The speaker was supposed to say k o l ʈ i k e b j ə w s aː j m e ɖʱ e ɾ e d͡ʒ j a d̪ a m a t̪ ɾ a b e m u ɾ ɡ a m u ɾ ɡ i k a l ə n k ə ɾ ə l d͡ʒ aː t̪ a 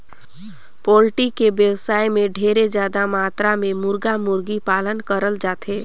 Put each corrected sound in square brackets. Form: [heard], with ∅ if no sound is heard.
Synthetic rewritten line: [p] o l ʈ i k e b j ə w s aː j m e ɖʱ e ɾ e d͡ʒ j a d̪ a m a t̪ ɾ a [m] e m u ɾ ɡ a m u ɾ ɡ i [p] a l ə n k ə ɾ ə l d͡ʒ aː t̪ [e]